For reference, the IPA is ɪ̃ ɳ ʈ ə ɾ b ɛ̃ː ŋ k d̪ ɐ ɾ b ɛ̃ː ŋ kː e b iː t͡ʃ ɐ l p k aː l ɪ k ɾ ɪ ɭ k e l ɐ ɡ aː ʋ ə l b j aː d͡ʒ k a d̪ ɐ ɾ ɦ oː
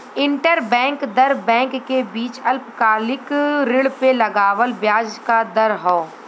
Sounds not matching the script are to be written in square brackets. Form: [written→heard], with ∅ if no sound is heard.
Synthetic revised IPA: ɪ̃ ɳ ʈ ə ɾ b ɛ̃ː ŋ k d̪ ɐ ɾ b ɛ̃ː ŋ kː e b iː t͡ʃ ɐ l p k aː l ɪ k ɾ ɪ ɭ [k→p] e l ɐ ɡ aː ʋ ə l b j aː d͡ʒ k a d̪ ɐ ɾ ɦ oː